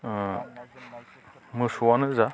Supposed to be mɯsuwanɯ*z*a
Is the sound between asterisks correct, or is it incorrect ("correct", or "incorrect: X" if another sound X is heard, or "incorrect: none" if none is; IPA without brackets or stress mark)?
correct